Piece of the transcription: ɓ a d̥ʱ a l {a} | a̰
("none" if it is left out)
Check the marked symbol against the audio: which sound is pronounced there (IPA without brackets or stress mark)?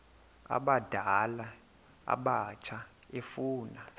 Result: a